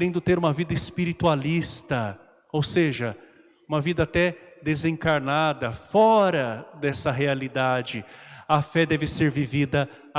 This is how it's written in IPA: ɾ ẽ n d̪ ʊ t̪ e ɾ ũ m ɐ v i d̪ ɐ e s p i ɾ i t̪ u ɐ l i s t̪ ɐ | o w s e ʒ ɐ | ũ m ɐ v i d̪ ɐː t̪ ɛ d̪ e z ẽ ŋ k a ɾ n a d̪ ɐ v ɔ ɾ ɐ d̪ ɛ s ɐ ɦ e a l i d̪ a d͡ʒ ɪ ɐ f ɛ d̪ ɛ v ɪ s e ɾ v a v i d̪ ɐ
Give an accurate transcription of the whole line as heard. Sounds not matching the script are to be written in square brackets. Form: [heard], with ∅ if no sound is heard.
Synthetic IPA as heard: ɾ ẽ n d̪ ʊ t̪ e ɾ ũ m ɐ v i d̪ ɐ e s p i ɾ i t̪ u [a] l i s t̪ ɐ | o w s e ʒ ɐ | ũ m ɐ v i d̪ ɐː t̪ ɛ d̪ e z ẽ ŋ k a ɾ n a d̪ ɐ [f] ɔ ɾ ɐ d̪ ɛ s ɐ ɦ e a l i d̪ a d͡ʒ ɪ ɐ f ɛ d̪ ɛ v ɪ s e ɾ v [i] v i d̪ ɐ